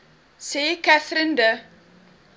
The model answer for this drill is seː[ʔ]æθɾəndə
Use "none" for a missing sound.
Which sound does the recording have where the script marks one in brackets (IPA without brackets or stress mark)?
k